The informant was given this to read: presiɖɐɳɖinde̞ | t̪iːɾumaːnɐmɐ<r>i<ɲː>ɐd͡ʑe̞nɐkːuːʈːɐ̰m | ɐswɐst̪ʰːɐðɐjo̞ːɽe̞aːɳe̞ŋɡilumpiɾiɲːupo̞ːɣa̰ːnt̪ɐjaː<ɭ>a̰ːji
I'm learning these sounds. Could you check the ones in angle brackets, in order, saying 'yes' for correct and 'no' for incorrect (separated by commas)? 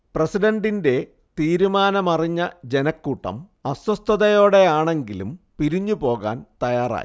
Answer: yes, yes, no